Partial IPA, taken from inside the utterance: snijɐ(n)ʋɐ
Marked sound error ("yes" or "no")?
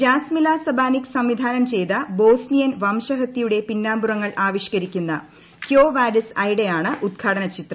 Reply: no